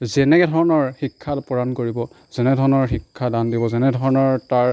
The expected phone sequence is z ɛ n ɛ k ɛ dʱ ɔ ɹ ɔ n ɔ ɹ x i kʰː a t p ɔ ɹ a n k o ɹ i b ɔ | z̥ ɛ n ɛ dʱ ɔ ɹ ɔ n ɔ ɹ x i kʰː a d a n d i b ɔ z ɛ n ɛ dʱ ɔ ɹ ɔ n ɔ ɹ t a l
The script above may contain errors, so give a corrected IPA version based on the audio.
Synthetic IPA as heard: z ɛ n ɛ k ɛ dʱ ɔ ɹ ɔ n ɔ ɹ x i kʰː a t p ɔ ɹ a n k o ɹ i b ɔ | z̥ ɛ n ɛ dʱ ɔ ɹ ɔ n ɔ ɹ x i kʰː a d a n d i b ɔ z ɛ n ɛ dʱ ɔ ɹ ɔ n ɔ ɹ t a ɹ